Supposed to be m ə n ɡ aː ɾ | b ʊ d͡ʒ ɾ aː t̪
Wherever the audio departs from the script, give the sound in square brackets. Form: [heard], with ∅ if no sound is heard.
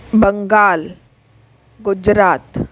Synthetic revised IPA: [b] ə [ŋ] ɡ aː [l] | [ɡ] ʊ d͡ʒ ɾ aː t̪